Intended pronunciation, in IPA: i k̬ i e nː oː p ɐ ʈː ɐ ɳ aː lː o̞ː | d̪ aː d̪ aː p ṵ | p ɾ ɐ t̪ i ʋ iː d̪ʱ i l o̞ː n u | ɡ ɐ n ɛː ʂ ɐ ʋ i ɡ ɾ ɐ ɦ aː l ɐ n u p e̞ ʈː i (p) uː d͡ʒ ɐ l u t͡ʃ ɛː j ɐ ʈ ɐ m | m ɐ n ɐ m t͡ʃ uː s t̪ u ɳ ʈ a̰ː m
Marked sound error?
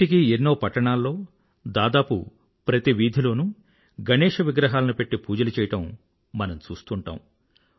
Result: no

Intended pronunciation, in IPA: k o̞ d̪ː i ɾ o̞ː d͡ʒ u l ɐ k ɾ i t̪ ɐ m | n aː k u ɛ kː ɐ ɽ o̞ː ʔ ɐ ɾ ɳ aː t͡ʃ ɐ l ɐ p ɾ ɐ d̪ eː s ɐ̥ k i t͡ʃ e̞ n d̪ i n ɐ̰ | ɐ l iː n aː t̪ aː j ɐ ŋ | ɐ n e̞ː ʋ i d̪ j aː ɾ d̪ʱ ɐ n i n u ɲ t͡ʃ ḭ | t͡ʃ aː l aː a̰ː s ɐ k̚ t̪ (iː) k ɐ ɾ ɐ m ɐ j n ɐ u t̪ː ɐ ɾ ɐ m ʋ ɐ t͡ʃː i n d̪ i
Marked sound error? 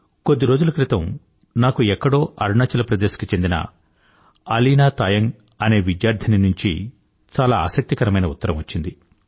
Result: yes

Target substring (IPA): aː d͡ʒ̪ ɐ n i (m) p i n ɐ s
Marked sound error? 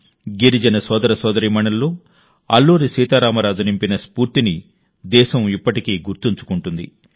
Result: no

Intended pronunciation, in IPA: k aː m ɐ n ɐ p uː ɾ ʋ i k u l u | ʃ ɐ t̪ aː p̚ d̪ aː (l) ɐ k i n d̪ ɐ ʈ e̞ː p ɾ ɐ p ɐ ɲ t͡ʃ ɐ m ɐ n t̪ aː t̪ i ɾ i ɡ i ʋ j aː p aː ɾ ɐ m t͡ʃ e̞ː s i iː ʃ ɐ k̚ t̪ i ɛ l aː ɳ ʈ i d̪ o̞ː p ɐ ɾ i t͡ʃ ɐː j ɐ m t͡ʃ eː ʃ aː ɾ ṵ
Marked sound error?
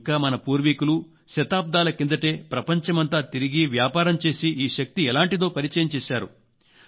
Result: no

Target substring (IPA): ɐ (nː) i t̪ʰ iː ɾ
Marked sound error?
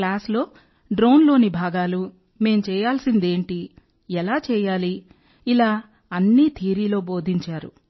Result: no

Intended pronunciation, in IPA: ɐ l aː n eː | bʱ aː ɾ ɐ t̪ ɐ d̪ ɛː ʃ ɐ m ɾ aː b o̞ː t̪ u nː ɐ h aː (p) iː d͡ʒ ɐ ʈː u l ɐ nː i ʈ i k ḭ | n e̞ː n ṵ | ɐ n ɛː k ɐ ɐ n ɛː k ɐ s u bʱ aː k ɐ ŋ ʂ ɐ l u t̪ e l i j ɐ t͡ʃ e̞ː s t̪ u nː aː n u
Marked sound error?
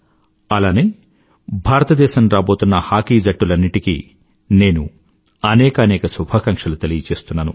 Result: yes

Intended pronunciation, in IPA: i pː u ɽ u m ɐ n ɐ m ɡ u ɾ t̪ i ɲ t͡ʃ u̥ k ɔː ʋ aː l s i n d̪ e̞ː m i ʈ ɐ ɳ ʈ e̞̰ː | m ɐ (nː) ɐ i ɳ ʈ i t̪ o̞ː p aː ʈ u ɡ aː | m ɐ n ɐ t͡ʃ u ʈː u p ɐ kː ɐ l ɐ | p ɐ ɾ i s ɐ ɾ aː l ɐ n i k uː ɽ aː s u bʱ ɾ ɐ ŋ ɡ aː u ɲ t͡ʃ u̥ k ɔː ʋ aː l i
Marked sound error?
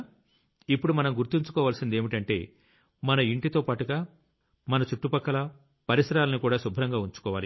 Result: yes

